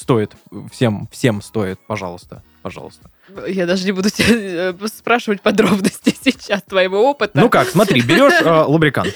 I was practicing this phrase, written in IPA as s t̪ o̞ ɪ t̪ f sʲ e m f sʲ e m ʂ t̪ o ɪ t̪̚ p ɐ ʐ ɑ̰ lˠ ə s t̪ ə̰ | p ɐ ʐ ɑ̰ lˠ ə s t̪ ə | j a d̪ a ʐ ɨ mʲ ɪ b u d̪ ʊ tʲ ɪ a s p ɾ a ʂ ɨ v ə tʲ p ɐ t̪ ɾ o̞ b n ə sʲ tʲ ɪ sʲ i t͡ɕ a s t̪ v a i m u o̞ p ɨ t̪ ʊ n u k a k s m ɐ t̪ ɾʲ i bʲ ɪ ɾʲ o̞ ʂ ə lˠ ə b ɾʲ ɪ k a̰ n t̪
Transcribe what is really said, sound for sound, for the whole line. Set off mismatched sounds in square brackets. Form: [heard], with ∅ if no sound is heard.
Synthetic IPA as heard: s t̪ o̞ ɪ t̪ f sʲ e m f sʲ e m [s] t̪ o ɪ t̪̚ p ɐ ʐ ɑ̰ lˠ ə s t̪ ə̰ | p ɐ ʐ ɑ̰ lˠ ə s t̪ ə | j a d̪ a ʐ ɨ [nʲ] ɪ b u d̪ ʊ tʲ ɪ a s p ɾ a ʂ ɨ v ə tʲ p ɐ [d̪] ɾ o̞ b n ə sʲ tʲ ɪ sʲ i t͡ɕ a s t̪ v [ɐ] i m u o̞ p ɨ t̪ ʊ n u k a k s m ɐ t̪ ɾʲ i bʲ ɪ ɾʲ o̞ ʂ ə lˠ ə b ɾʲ ɪ k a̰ n t̪